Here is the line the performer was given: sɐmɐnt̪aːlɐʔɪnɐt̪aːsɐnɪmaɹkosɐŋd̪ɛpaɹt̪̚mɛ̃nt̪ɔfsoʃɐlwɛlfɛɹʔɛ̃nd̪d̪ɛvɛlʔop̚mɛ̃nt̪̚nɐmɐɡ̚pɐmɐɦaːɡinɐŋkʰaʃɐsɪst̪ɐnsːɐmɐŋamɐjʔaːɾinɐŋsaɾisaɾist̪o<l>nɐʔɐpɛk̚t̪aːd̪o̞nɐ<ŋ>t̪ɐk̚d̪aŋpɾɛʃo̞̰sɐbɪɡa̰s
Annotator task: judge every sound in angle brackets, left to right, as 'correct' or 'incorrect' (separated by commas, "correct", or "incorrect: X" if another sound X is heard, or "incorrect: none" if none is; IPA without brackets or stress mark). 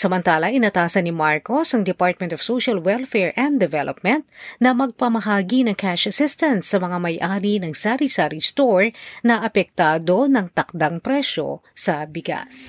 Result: incorrect: ɹ, correct